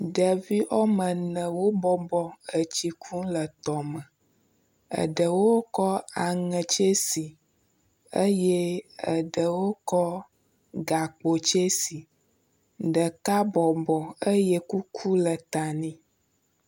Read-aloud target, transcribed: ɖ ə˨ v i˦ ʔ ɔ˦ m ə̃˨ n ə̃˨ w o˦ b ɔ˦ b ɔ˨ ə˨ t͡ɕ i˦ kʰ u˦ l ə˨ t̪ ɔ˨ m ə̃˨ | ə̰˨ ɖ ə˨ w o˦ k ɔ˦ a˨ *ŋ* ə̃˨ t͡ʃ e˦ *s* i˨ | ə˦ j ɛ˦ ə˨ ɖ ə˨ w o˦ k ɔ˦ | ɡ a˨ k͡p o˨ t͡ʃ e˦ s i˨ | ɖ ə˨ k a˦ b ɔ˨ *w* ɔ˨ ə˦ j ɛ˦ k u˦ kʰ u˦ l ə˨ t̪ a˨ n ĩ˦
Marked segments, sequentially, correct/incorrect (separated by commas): correct, correct, incorrect